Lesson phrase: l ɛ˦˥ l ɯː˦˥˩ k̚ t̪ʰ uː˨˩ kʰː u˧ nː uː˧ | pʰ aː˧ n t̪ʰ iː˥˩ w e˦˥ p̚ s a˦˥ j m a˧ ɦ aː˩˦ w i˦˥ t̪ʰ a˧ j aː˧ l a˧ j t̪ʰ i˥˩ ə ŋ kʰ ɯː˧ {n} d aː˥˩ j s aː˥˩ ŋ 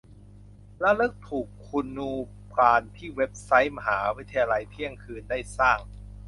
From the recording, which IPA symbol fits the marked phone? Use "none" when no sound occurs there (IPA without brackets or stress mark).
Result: n